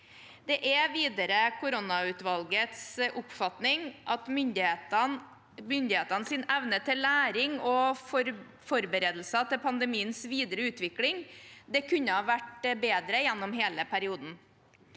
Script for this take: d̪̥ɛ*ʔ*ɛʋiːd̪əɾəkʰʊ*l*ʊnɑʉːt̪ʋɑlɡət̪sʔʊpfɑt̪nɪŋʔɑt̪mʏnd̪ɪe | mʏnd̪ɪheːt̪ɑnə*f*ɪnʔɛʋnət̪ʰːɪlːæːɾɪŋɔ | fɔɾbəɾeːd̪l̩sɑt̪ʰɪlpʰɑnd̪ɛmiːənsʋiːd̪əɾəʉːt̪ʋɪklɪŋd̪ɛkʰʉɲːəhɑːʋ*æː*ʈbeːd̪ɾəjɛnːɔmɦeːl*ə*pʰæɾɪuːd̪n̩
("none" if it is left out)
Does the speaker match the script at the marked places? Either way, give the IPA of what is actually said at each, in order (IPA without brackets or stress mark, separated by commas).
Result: ʔ, ɾ, s, æ, ə